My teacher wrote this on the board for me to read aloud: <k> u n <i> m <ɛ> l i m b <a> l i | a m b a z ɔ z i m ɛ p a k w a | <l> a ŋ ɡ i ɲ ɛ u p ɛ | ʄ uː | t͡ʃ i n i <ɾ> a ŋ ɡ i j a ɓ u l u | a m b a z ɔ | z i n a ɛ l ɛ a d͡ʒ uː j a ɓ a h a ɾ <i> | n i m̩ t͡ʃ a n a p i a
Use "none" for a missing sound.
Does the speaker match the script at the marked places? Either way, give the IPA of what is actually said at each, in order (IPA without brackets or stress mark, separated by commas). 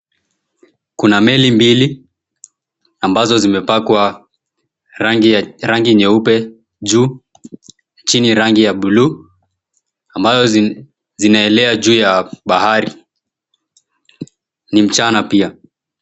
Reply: k, a, ɛ, i, ɾ, ɾ, i